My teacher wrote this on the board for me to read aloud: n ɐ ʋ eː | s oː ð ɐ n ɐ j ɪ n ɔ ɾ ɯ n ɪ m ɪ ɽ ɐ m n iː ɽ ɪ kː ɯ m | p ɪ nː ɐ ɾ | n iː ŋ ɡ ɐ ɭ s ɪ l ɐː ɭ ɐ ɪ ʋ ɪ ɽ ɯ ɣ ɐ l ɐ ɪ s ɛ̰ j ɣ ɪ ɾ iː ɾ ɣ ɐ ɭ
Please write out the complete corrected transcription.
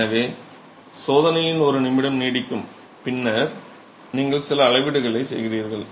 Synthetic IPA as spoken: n ɐ ʋ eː | s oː ð ɐ n ɐ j ɪ n ɔ ɾ ɯ n ɪ m ɪ ɽ ɐ m n iː ɽ ɪ kː ɯ m | p ɪ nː ɐ ɾ | n iː ŋ ɡ ɐ ɭ s ɪ l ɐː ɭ ɐ ɪ ʋ ɪ ɽ ɯ ɣ ɐ ɭ ɐ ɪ s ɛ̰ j ɣ ɪ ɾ iː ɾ ɣ ɐ ɭ